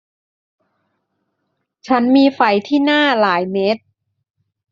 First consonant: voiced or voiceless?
voiceless